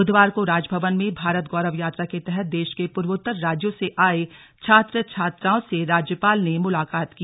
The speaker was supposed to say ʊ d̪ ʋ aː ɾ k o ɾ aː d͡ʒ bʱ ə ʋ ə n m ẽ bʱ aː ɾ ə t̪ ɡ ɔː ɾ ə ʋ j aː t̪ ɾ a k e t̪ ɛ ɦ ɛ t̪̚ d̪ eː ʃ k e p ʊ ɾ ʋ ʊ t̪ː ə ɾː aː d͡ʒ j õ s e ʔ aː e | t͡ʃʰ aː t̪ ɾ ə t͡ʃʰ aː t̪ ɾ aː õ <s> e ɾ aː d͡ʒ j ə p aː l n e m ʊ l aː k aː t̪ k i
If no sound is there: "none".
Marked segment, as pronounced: s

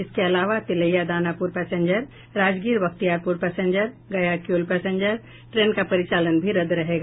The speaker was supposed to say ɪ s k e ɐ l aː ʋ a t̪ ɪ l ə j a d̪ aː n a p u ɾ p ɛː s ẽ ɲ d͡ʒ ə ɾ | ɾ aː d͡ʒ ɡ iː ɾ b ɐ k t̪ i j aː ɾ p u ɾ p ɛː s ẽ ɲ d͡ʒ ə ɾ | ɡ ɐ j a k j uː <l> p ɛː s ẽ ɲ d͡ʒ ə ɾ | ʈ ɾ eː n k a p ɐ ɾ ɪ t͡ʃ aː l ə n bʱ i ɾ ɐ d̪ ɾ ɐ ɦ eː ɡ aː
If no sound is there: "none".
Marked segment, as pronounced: l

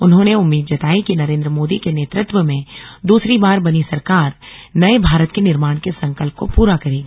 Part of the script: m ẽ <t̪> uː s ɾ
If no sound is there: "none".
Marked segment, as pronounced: d̪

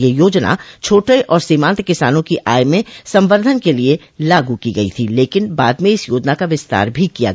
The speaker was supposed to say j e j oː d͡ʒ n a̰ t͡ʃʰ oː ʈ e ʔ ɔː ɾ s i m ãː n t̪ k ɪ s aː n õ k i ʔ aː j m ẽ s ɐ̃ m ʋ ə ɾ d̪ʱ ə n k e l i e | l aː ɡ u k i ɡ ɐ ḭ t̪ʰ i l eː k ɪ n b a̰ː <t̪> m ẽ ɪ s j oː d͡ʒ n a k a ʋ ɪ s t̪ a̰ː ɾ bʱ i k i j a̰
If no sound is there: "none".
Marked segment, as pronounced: d̪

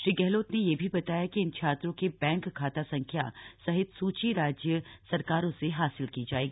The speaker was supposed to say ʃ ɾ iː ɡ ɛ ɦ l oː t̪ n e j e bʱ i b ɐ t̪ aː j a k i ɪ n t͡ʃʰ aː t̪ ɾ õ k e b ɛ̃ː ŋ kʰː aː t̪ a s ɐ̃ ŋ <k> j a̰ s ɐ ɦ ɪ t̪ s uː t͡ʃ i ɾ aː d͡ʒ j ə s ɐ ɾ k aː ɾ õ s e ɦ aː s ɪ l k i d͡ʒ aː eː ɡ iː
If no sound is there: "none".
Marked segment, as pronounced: kʰ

